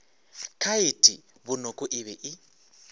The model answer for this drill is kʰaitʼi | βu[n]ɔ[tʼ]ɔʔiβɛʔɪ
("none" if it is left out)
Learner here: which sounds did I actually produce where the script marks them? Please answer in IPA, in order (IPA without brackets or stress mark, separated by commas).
n, kʼ